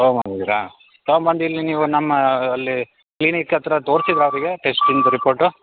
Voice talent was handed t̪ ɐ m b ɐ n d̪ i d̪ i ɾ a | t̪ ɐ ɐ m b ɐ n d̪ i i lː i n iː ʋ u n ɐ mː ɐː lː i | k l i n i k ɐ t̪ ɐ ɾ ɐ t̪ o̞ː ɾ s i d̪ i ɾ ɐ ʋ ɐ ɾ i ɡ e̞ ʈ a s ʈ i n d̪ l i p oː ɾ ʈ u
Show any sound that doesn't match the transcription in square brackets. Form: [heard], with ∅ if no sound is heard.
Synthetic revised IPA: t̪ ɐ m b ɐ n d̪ i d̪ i ɾ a | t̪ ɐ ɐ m b ɐ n d̪ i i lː i n iː ʋ u n ɐ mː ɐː lː i | k l i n i k ɐ t̪ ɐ ɾ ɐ t̪ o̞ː ɾ s i d̪ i ɾ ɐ ʋ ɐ ɾ i ɡ e̞ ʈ [e] s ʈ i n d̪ [ɾ] i p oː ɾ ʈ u